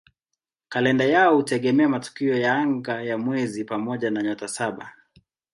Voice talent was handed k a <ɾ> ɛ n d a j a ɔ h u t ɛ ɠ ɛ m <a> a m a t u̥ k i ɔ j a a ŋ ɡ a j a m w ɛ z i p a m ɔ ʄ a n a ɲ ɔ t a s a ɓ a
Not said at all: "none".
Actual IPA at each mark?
l, ɛ

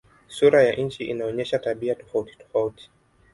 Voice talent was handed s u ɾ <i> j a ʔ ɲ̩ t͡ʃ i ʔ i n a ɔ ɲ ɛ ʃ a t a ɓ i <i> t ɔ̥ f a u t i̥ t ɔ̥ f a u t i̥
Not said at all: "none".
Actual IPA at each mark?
a, a

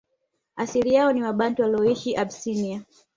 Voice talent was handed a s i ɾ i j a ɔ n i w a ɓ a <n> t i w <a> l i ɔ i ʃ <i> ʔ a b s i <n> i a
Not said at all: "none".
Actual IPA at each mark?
n, a, i, n

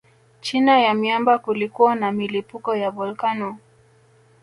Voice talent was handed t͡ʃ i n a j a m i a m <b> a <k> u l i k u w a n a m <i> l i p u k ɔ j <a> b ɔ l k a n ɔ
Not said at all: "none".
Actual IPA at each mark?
b, k, i, a

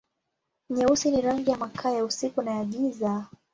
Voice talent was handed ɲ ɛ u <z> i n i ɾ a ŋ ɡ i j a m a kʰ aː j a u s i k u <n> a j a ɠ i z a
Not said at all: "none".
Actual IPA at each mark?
s, n

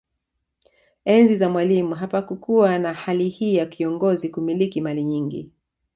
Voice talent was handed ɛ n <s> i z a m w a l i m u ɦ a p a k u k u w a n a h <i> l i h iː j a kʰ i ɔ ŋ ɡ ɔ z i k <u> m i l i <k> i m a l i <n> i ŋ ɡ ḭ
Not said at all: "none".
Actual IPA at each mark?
z, a, u, k, ɲ

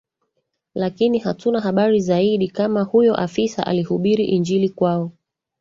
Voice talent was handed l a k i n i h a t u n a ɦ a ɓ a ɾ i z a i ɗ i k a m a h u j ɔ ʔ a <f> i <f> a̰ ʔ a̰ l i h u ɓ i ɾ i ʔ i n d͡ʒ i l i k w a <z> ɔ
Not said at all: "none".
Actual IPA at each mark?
f, s, none

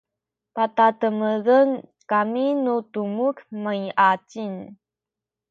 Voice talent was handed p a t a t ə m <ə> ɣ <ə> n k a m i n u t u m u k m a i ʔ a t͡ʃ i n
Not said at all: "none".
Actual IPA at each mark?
ə, ə

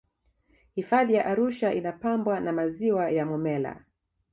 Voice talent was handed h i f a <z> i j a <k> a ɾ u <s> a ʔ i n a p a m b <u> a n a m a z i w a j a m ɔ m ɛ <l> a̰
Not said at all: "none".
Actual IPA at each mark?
ð, ʔ, ʃ, w, l

